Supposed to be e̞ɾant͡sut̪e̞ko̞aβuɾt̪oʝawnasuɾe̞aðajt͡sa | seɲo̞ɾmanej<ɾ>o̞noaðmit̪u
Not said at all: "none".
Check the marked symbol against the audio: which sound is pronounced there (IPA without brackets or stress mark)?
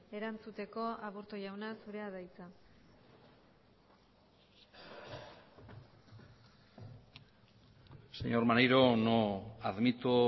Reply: ɾ